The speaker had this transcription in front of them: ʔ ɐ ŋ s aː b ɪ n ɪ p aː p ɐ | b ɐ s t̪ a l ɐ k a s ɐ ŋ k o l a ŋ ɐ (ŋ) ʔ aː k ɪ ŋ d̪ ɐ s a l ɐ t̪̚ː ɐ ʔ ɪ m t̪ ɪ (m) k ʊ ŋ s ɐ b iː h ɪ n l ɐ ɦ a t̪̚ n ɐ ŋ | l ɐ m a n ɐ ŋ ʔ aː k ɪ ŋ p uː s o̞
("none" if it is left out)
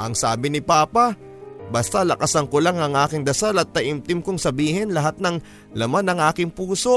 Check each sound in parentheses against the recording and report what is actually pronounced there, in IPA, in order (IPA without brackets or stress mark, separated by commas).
ŋ, m